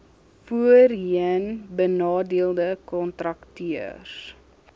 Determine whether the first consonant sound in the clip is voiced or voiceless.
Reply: voiceless